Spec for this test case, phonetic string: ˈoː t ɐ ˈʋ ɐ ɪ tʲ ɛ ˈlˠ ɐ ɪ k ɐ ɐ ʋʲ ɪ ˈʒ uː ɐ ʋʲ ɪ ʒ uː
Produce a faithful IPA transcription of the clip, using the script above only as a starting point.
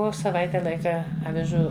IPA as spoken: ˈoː s ɐ ˈʋ ɐ ɪ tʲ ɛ ˈlˠ ɐ ɪ k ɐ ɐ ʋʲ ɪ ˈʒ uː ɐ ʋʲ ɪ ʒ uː